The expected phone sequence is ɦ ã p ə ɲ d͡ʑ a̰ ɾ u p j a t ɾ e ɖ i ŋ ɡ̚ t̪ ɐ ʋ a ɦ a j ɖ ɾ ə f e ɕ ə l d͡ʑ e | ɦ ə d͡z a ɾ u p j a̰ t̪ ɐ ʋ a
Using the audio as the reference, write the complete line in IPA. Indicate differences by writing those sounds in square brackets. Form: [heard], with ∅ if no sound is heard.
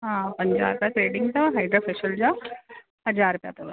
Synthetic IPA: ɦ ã p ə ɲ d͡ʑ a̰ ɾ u p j a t ɾ e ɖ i ŋ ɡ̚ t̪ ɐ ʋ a ɦ a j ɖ ɾ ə f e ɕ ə l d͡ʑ [a] | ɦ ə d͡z a ɾ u p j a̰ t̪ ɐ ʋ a